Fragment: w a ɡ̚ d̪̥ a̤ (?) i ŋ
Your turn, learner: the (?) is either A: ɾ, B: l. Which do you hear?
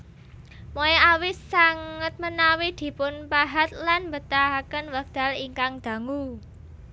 B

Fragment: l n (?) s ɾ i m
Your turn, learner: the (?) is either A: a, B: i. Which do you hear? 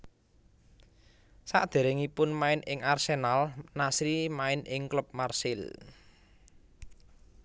A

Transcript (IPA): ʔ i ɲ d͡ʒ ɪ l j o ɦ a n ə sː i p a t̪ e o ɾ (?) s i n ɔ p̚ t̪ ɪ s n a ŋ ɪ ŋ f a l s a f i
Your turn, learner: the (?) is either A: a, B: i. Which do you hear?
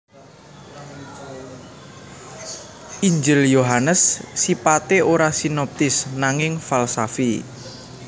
A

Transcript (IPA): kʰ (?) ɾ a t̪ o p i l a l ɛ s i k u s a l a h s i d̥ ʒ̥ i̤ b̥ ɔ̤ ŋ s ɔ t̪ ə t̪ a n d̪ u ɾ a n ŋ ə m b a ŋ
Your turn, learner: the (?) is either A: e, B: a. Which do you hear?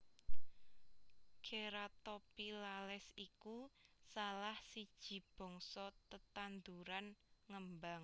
A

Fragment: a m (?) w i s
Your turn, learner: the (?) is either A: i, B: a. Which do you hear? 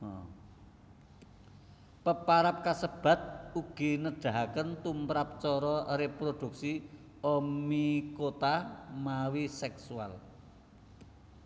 B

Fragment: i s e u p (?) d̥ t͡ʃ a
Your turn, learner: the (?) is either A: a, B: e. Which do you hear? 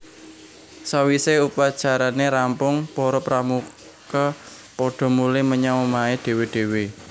A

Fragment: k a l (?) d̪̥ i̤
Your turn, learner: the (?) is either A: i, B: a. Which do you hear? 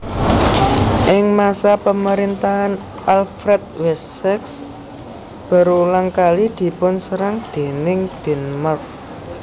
A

